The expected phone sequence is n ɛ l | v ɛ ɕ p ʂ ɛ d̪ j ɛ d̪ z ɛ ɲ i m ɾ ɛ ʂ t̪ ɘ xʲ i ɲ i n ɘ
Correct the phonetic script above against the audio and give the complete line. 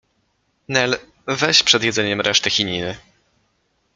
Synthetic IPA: n ɛ l | v ɛ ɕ p ʂ ɛ d̪ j ɛ d̪ z ɛ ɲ ɛ m ɾ ɛ ʂ t̪ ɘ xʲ i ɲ i n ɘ